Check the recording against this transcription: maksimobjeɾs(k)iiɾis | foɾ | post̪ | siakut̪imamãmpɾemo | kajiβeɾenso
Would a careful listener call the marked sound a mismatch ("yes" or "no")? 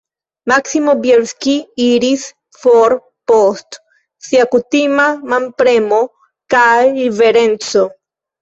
no